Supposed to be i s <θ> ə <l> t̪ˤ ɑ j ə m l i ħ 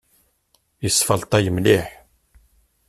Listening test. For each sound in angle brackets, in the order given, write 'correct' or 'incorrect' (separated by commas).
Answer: incorrect, correct